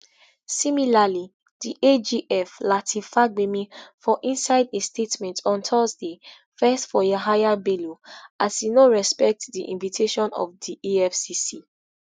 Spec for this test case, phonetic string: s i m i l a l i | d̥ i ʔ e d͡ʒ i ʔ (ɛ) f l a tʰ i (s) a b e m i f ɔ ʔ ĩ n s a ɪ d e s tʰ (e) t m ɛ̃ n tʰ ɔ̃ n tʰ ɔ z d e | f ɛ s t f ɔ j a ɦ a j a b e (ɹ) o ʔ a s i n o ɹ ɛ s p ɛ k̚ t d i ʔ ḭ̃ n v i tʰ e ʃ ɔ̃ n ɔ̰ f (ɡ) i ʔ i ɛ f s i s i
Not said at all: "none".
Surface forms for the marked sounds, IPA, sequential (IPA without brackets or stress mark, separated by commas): ɛ, f, e, l, d